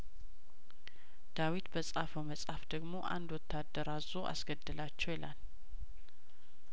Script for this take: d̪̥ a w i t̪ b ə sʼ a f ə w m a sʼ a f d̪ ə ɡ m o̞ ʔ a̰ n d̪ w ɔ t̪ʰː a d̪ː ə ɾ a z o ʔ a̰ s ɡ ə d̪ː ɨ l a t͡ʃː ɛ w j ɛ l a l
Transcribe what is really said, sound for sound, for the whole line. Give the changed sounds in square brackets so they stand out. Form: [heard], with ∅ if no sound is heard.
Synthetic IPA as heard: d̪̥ a w i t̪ b ə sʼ a f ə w m [ə] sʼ a f d̪ ə ɡ m o̞ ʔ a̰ n d̪ w ɔ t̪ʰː a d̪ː ə ɾ a z o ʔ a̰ s ɡ ə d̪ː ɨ l a t͡ʃː ɛ w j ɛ l a l

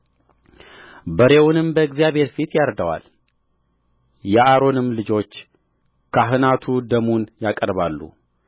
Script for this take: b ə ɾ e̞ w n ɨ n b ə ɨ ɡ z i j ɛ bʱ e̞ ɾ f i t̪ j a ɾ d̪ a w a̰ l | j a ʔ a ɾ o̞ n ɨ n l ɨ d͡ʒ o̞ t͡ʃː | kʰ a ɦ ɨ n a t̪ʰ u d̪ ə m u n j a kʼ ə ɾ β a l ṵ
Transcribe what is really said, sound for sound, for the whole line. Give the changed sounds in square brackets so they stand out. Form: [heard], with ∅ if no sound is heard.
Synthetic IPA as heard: b ə ɾ e̞ w n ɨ [m] b ə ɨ ɡ z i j [a] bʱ e̞ ɾ f i t̪ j a ɾ d̪ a w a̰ l | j [ɛ] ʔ a ɾ o̞ n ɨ [m] l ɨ d͡ʒ o̞ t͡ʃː | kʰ a ɦ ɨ n a t̪ʰ u d̪ ə m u n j a kʼ ə ɾ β a [lː] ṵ

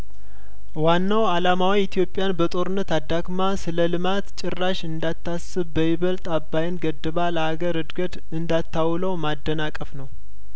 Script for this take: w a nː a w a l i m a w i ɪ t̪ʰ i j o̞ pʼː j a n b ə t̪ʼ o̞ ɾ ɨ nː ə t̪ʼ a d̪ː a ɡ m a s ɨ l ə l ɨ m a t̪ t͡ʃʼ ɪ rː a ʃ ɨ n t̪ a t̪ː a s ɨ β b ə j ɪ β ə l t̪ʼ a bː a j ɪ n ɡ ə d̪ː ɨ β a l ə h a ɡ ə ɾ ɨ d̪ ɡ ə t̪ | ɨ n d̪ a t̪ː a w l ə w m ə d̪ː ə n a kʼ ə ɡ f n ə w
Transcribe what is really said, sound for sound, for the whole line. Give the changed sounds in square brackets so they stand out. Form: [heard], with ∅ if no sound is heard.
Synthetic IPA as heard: w a nː a w a l [a] m a w i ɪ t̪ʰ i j o̞ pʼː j a n b ə t̪ʼ o̞ ɾ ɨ nː ə [t̪] a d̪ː a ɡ m a s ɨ l ə l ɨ m a t̪ t͡ʃʼ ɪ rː a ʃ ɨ n [d̪] a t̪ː a s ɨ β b ə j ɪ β ə l t̪ʼ a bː a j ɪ n ɡ ə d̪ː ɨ β a l ə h a ɡ ə ɾ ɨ d̪ ɡ ə t̪ | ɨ n d̪ a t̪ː a w l ə w m [a] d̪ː ə n a kʼ ə [∅] f n ə w

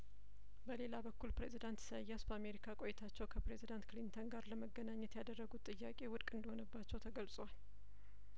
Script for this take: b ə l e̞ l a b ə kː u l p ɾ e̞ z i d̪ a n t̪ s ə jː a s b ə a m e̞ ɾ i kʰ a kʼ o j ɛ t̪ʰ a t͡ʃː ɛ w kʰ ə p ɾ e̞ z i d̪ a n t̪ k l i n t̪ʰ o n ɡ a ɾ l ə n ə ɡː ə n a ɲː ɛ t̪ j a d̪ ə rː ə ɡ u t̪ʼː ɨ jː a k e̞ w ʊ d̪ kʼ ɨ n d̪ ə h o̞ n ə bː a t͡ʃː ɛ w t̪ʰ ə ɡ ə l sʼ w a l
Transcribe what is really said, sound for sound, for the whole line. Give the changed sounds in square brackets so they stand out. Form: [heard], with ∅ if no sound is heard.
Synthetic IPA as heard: b ə l e̞ l a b ə kː u l p ɾ e̞ z i d̪ a n t̪ s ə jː a s b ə a m e̞ ɾ i kʰ a kʼ o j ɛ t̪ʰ a t͡ʃː ɛ w kʰ ə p ɾ e̞ z i d̪ a n t̪ k l i n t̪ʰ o n ɡ a ɾ l ə [m] ə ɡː ə n a ɲː ɛ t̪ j a d̪ ə rː ə ɡ u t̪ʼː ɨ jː a [kʼ] e̞ w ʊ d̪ kʼ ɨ n d̪ ə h o̞ n ə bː a t͡ʃː ɛ w t̪ʰ ə ɡ ə l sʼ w a l

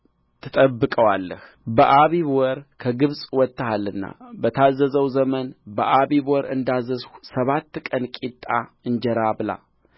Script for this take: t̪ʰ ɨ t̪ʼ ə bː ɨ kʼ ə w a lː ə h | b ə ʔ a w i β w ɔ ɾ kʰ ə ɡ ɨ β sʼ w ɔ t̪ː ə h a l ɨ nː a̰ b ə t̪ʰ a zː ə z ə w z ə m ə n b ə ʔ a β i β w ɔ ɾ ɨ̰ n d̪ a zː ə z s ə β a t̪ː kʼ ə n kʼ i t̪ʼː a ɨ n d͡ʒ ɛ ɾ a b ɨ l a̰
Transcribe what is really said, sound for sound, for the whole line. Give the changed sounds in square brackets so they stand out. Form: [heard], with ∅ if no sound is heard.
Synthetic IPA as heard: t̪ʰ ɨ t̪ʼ ə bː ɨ kʼ ə w a lː ə h | b ə ʔ a [β] i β w ɔ ɾ kʰ ə ɡ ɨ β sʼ w ɔ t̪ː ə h a l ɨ nː a̰ b ə t̪ʰ a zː ə z ə w z ə m ə n b ə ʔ a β i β w ɔ ɾ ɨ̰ n d̪ a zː ə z s ə β a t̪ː kʼ ə n kʼ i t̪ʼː a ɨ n d͡ʒ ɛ ɾ a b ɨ l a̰

